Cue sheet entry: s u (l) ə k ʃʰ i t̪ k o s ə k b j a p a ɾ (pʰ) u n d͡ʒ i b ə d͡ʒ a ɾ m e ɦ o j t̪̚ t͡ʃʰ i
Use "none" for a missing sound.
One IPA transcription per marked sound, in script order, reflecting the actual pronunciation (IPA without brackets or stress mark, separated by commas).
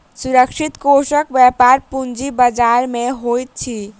ɾ, p